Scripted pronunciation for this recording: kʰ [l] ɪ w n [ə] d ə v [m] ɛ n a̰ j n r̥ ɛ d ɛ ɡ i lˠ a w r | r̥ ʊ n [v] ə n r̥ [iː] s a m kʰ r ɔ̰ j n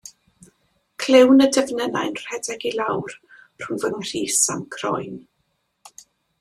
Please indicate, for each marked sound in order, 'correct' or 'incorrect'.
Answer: correct, correct, incorrect: n, correct, correct

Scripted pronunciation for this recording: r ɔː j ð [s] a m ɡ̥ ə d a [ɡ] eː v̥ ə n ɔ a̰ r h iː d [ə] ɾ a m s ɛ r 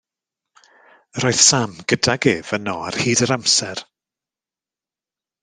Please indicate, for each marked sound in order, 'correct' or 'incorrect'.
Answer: correct, correct, correct

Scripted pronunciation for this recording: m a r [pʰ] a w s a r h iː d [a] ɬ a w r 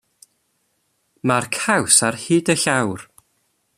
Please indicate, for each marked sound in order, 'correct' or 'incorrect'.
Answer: incorrect: kʰ, incorrect: ə

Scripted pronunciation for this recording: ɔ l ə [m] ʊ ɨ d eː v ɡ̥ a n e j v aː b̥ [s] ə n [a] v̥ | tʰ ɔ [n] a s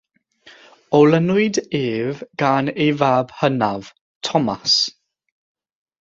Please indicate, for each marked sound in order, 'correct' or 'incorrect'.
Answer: incorrect: n, incorrect: h, correct, incorrect: m

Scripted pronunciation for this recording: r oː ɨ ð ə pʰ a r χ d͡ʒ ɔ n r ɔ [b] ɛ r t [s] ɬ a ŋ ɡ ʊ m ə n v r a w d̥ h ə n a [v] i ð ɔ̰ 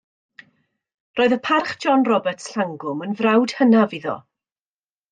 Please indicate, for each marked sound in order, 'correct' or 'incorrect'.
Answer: correct, correct, correct

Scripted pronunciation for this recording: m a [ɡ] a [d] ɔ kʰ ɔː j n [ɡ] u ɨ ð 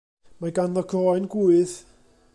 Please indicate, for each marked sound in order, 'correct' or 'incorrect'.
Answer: correct, incorrect: n, correct

